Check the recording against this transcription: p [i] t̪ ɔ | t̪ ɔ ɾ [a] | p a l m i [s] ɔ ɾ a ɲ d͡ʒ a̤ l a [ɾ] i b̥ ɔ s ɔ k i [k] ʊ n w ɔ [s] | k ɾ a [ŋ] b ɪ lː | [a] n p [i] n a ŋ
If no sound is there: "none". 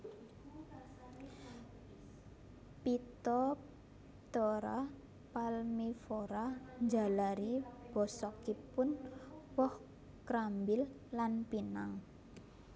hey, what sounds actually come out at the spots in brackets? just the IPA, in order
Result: i, a, f, ɾ, p, h, m, a, i

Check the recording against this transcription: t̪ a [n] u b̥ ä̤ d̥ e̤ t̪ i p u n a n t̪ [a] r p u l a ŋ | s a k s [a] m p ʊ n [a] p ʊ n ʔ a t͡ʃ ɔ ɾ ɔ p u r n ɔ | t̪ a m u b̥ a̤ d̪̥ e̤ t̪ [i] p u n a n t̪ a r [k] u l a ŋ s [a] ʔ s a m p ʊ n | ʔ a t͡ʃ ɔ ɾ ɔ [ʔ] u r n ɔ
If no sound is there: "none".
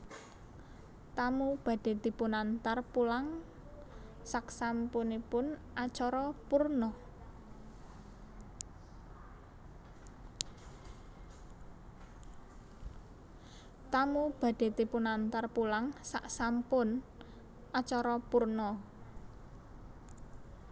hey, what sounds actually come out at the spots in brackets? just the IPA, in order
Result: m, a, a, i, i, p, a, p

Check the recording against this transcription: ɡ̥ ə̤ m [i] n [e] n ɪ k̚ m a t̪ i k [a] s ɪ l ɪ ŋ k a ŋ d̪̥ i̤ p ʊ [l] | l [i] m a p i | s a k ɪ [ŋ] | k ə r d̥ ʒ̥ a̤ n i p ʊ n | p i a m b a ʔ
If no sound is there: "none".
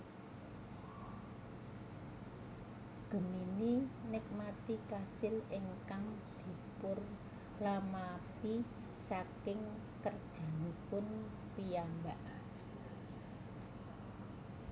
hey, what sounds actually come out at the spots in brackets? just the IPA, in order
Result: i, i, a, r, a, ŋ

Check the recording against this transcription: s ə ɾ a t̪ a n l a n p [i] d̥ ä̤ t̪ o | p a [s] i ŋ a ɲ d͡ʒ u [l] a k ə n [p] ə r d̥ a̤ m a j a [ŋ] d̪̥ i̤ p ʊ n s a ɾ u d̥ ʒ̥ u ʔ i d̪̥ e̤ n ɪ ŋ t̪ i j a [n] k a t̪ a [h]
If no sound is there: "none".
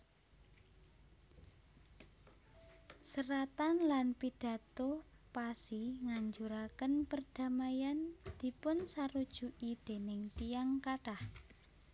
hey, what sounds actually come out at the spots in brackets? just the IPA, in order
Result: i, s, ɾ, p, n, ŋ, h

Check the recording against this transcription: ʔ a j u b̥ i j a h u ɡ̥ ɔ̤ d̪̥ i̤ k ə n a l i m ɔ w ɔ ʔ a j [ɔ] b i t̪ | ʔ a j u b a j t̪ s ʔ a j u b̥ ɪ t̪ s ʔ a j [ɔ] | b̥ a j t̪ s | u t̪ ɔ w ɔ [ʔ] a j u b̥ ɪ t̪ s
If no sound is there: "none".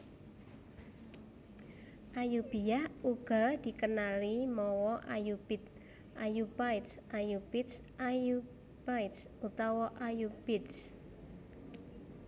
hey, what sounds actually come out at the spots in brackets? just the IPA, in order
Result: u, u, ʔ

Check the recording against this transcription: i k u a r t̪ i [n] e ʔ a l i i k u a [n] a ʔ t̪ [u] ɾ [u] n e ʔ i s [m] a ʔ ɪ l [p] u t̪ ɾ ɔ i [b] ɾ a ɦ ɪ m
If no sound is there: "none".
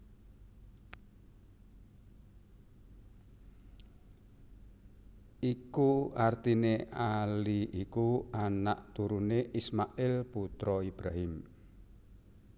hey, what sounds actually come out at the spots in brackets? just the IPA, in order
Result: n, n, u, u, m, p, b

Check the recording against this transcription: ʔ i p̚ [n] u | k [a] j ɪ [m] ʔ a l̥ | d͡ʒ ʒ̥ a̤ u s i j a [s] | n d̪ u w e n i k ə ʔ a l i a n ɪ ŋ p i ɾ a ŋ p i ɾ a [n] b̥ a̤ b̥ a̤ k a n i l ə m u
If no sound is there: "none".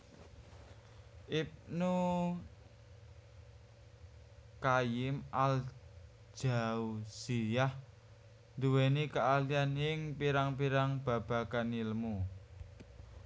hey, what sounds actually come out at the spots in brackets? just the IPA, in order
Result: n, a, m, h, ŋ

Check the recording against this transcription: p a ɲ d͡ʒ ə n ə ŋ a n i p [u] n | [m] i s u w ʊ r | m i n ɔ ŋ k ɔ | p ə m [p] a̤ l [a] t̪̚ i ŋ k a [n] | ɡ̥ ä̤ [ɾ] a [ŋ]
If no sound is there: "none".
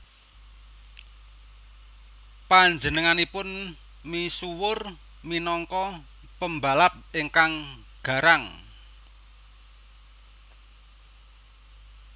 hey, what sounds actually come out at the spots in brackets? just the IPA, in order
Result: ʊ, m, b, a, ŋ, ɾ, ŋ

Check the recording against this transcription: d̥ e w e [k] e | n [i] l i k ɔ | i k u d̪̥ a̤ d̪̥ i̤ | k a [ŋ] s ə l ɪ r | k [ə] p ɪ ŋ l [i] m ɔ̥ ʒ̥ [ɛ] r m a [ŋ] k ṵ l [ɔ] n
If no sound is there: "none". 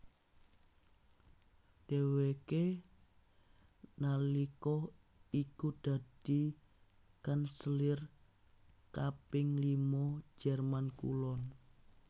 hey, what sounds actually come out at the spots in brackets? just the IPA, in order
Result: k, a, n, a, i, ɛ, n, ɔ

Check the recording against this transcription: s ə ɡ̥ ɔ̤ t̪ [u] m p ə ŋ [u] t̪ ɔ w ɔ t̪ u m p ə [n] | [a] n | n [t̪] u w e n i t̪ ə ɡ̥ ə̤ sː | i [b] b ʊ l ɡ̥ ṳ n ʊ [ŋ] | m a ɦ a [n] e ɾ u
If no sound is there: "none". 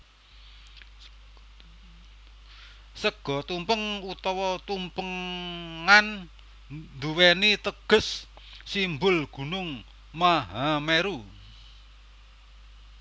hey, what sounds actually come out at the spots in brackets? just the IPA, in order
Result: u, u, ŋ, a, d̪, m, ŋ, m

